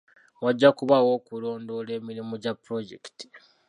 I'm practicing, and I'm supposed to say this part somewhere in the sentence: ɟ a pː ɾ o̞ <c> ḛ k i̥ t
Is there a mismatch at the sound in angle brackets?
yes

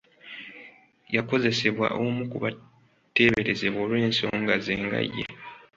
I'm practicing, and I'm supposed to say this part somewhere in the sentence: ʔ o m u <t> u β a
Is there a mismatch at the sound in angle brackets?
yes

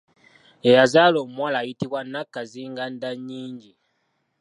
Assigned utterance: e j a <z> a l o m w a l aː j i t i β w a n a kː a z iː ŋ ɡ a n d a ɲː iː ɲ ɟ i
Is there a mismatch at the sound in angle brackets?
no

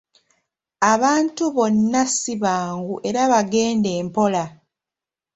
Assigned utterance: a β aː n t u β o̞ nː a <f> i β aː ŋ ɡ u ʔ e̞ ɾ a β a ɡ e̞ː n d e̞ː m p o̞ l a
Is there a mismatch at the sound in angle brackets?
yes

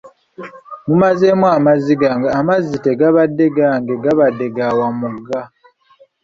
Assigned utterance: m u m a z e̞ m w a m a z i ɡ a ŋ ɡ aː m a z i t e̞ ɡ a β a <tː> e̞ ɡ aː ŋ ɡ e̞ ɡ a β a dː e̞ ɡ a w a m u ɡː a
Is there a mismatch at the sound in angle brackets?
yes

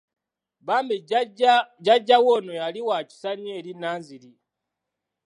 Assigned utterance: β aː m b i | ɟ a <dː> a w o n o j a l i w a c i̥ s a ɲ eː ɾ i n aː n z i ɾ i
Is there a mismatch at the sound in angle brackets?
yes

